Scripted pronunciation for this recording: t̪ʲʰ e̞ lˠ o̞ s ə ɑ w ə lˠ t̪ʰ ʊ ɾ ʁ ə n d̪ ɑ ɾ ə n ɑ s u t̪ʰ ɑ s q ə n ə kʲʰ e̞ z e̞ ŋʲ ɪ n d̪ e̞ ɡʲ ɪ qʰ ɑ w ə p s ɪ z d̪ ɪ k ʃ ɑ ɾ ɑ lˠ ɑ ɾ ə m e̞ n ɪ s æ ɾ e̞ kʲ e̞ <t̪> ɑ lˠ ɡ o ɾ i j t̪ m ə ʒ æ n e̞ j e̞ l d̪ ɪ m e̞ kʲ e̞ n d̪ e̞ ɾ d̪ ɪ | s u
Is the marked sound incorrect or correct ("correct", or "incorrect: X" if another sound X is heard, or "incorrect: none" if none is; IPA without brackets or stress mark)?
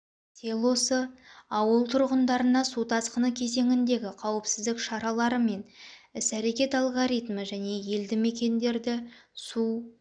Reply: correct